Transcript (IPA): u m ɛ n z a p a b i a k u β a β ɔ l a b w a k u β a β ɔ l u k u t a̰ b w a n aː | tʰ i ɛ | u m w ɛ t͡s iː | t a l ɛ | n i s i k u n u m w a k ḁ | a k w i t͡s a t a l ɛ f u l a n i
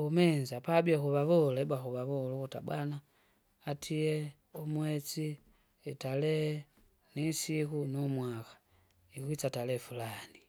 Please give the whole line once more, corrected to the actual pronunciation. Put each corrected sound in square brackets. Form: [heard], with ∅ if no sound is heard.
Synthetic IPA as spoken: u m ɛ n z a p a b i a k u β a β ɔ l [ɛ] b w a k u β a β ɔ l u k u t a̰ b w a n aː | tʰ i ɛ | u m w ɛ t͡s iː | t a l ɛ | n i s i k u n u m w a k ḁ | [i] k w i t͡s a t a l ɛ f u l a n i